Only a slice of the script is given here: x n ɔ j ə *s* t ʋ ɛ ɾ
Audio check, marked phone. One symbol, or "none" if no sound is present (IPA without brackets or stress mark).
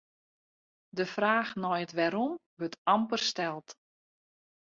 none